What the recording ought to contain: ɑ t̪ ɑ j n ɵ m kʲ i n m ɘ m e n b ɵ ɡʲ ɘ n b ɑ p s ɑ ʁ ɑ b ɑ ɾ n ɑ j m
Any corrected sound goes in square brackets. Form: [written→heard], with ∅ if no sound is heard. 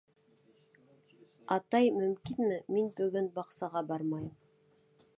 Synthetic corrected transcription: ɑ t̪ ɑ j [n→m] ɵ m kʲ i n m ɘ m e n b ɵ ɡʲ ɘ n b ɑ [p→q] s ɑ ʁ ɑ b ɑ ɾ [n→m] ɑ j m